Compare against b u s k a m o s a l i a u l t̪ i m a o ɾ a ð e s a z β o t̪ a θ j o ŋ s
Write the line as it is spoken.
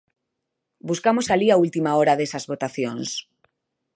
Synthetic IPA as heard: b u s k a m o s a l i a u l t̪ i m a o ɾ a ð e s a z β o t̪ a θ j o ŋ s